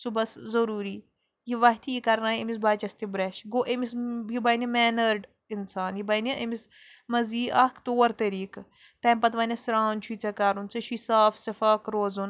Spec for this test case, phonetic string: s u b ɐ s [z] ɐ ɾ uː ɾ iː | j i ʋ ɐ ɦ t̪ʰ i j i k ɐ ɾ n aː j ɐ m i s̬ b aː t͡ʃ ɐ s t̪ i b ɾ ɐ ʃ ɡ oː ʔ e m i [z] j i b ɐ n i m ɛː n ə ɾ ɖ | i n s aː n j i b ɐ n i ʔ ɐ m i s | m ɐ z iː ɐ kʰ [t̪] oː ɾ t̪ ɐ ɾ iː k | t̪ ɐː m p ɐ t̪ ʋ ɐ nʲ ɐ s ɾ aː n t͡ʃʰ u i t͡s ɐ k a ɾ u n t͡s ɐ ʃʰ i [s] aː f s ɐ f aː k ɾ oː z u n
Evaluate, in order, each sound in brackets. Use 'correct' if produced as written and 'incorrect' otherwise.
correct, incorrect: s, correct, correct

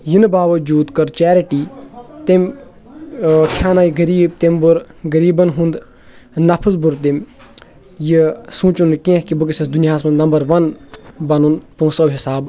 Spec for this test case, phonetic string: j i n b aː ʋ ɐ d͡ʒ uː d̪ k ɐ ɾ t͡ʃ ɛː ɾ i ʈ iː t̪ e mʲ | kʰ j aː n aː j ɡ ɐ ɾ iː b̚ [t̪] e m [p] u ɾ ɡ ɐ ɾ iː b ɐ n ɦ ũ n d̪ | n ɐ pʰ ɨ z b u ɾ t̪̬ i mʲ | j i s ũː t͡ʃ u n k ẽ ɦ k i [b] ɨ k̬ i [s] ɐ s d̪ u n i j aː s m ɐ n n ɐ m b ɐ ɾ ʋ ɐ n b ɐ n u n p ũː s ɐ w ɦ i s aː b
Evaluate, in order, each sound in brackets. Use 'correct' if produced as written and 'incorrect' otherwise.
correct, incorrect: b, correct, correct

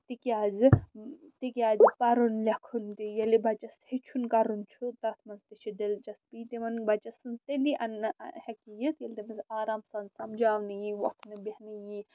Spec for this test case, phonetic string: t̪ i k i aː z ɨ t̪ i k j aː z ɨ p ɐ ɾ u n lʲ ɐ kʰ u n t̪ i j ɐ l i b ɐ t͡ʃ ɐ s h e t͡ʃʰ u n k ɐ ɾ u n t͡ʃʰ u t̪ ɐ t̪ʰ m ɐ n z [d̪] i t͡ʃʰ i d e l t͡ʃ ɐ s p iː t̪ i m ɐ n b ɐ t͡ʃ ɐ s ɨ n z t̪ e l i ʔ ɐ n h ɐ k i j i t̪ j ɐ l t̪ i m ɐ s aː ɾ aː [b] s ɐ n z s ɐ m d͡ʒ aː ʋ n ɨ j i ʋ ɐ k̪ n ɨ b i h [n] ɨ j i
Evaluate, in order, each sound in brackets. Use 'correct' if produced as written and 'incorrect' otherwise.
incorrect: t̪, incorrect: m, correct

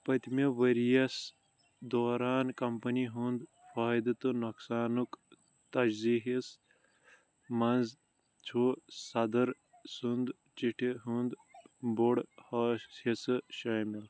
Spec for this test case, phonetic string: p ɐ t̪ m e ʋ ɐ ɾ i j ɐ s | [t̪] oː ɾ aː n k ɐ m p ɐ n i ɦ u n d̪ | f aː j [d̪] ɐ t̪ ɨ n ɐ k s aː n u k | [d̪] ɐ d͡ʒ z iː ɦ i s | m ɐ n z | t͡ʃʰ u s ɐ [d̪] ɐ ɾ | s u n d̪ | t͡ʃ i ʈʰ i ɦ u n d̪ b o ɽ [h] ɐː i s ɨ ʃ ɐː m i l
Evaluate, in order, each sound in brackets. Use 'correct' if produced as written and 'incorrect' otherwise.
incorrect: d̪, correct, incorrect: t̪, correct, correct

